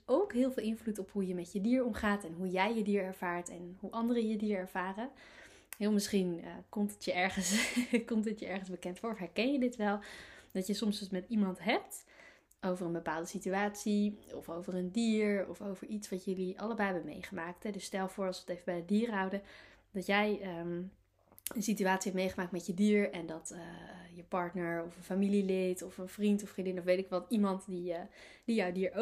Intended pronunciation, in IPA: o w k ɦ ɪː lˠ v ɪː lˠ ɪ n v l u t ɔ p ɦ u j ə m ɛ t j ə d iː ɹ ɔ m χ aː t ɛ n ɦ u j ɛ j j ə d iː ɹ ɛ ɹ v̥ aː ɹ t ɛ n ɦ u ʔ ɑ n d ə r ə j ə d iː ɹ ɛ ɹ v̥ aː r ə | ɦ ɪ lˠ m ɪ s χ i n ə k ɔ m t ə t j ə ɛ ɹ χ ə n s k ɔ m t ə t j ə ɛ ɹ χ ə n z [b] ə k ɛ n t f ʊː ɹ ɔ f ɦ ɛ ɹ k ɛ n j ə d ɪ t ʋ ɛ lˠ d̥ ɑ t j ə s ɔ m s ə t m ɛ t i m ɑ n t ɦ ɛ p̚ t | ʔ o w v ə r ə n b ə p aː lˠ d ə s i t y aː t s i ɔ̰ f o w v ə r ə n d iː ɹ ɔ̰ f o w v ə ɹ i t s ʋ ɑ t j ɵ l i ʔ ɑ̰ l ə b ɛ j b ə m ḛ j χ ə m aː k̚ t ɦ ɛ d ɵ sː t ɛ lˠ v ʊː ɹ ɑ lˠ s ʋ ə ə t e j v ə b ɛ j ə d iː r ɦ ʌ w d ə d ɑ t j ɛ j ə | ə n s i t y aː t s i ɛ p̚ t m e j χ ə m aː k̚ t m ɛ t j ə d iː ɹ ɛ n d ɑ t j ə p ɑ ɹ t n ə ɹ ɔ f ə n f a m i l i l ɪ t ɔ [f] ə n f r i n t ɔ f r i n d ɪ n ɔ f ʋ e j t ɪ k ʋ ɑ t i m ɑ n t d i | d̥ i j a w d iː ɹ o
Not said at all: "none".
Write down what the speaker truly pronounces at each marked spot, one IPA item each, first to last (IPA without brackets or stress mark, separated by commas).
b, f